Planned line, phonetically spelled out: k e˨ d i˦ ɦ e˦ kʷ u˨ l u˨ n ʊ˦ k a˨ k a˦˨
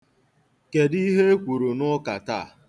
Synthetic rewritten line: k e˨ d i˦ ɦ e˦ kʷ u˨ ɾ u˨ n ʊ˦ k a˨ t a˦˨